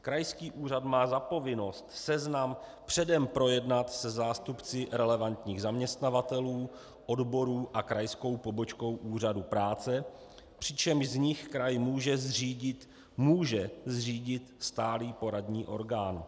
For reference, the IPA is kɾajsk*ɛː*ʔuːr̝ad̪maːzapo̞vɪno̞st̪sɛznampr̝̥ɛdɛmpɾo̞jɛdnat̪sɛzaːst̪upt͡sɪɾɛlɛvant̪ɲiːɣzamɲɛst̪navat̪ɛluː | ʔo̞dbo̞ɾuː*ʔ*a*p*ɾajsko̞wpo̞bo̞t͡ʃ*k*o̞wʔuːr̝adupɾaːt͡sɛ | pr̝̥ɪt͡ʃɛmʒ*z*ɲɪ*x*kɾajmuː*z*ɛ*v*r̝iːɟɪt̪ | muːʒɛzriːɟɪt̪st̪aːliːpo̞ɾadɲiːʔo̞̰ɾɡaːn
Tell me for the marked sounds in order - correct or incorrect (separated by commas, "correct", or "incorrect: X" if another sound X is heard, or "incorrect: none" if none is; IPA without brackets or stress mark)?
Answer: incorrect: iː, correct, incorrect: k, correct, correct, correct, incorrect: ʒ, incorrect: z